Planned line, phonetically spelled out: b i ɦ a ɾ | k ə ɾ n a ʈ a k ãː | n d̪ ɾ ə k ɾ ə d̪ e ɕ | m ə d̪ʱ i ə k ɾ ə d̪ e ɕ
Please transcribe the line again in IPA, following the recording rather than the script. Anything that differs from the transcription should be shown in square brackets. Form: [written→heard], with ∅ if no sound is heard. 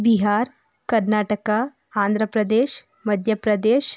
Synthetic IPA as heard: b i ɦ a ɾ | k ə ɾ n a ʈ [a→ə] k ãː | n d̪ ɾ ə [k→p] ɾ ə d̪ e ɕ | m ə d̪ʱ [i→j] ə [k→p] ɾ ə d̪ e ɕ